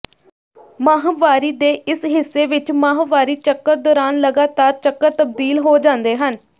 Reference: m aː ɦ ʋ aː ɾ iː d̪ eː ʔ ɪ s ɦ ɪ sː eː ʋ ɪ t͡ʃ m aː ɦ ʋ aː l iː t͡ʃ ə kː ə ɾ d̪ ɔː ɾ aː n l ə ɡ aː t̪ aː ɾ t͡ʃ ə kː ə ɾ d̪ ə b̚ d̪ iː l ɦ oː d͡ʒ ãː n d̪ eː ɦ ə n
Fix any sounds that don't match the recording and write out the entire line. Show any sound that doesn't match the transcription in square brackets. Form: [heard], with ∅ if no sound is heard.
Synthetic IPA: m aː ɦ ʋ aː ɾ iː d̪ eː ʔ ɪ s ɦ ɪ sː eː ʋ ɪ t͡ʃ m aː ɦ ʋ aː [ɾ] iː t͡ʃ ə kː ə ɾ d̪ ɔː ɾ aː n l ə ɡ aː t̪ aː ɾ t͡ʃ ə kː ə ɾ [t̪] ə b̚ d̪ iː l ɦ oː d͡ʒ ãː n d̪ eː ɦ ə n